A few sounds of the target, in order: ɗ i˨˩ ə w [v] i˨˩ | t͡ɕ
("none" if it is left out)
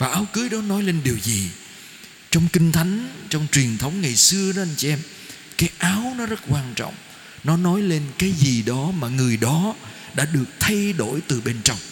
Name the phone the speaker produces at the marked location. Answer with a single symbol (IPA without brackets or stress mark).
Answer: z